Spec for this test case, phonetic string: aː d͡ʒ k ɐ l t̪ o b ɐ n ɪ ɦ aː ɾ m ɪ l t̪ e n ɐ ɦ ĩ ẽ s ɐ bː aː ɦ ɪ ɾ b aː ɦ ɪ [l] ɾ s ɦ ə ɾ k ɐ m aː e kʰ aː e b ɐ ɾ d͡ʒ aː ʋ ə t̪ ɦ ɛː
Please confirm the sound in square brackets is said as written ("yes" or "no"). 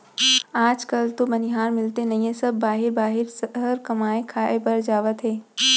no